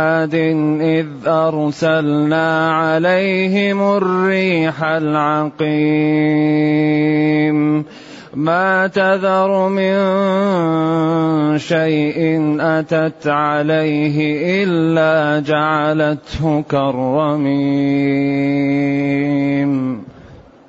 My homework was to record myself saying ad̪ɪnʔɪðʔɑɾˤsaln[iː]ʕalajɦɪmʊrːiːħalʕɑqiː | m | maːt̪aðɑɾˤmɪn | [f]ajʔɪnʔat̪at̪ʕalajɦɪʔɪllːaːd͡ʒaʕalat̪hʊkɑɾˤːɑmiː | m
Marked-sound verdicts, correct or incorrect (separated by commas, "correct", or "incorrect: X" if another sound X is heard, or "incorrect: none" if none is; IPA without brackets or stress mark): incorrect: aː, incorrect: ʃ